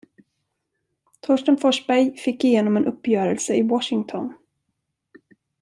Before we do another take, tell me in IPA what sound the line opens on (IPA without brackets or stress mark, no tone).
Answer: t̪ʰ